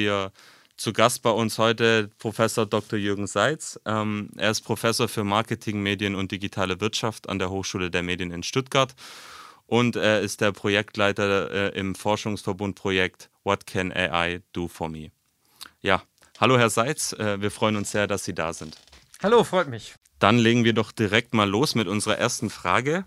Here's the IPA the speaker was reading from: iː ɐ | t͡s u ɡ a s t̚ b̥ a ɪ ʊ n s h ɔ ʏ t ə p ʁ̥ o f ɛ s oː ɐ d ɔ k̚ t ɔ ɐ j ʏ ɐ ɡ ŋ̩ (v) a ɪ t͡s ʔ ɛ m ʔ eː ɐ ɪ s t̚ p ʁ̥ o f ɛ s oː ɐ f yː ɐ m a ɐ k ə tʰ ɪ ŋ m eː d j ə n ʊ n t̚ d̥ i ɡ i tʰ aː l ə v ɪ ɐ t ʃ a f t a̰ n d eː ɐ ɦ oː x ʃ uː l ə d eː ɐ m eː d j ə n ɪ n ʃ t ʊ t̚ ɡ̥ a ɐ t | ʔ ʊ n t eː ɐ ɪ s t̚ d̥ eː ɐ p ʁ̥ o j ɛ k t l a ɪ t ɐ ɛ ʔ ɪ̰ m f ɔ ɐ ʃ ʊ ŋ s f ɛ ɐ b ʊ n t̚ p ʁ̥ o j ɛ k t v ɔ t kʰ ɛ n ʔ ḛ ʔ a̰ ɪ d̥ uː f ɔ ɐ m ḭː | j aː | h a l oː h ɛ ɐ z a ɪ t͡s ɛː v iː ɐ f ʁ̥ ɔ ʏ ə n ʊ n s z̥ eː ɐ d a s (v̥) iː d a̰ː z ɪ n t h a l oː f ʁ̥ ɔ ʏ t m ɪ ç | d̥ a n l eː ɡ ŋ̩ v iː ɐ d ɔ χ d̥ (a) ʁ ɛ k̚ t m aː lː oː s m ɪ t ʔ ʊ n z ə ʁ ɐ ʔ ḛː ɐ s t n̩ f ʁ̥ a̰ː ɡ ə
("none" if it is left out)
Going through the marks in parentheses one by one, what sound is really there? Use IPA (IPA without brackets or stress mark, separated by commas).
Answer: z, z̥, i